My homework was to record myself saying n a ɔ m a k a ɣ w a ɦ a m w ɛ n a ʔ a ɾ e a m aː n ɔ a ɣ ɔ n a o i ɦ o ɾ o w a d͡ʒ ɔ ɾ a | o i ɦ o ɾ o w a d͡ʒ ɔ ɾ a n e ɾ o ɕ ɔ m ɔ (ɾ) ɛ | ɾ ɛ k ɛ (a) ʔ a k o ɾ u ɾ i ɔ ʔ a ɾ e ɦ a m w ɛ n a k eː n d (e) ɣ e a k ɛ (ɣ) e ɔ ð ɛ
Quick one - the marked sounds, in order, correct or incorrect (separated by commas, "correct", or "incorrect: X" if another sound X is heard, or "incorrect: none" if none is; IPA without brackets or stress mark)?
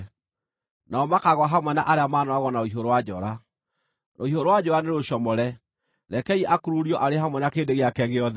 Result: correct, incorrect: i, correct, correct